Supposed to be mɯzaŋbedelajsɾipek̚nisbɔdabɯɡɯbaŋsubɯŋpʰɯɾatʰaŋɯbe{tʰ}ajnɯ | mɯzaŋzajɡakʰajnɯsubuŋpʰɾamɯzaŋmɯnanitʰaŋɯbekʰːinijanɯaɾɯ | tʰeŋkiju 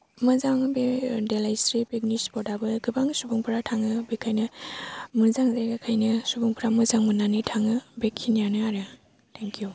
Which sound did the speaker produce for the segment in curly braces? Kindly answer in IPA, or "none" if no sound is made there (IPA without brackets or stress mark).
kʰ